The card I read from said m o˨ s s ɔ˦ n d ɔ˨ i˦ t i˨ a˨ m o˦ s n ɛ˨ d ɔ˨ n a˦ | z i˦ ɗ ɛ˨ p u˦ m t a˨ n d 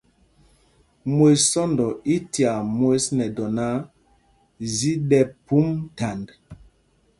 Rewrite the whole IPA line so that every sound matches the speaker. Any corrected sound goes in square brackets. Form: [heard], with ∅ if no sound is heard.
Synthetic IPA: m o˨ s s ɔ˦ n d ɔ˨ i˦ t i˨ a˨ m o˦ s n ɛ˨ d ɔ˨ n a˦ | z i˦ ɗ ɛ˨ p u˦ m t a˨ n d